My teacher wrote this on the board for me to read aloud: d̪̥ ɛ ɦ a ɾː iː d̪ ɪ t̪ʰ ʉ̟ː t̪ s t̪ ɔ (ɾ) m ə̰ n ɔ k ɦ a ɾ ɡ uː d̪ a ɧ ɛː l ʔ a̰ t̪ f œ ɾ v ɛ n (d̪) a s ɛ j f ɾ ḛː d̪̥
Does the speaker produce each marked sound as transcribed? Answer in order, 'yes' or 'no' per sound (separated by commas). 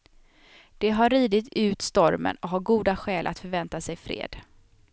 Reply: yes, no